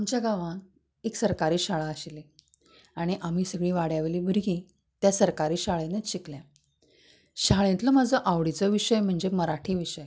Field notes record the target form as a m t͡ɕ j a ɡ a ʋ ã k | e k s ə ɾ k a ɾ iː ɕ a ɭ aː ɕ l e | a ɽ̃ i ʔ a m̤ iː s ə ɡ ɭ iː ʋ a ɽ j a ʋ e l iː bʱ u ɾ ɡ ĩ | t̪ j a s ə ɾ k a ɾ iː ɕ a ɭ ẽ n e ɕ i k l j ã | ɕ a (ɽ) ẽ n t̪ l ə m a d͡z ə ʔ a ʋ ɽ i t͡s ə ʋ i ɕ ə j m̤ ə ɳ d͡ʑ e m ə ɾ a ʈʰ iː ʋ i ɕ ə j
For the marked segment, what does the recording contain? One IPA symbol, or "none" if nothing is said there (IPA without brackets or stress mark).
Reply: ɭ